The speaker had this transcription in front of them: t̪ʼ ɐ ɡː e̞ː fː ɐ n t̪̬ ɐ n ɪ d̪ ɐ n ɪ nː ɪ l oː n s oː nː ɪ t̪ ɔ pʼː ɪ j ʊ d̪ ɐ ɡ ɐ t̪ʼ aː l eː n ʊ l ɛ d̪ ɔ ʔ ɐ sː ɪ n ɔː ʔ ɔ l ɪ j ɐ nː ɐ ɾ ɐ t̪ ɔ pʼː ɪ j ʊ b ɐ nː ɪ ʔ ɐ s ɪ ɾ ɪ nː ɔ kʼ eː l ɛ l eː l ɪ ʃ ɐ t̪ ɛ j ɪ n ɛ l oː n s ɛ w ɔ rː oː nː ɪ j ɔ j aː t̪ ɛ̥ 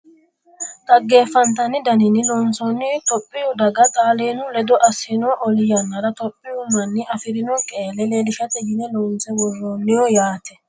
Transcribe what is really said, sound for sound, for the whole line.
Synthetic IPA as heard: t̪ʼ ɐ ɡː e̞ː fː ɐ n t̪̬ ɐ n ɪ d̪ ɐ n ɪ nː ɪ l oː n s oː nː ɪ t̪ ɔ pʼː ɪ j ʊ d̪ ɐ ɡ ɐ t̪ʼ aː l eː n ʊ l ɛ d̪ ɔ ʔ ɐ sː ɪ n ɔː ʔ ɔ l ɪ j ɐ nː ɐ ɾ ɐ t̪ ɔ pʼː ɪ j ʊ m ɐ nː ɪ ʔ ɐ f ɪ ɾ ɪ n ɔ kʼ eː l ɛ l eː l ɪ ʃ ɐ t̪ ɛ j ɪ n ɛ l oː n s ɛ w ɔ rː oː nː ɪ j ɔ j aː t̪ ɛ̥